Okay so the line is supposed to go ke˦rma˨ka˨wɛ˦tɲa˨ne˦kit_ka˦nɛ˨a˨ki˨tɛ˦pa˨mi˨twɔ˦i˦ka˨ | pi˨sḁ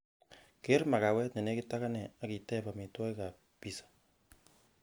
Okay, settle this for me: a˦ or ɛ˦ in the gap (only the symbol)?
a˦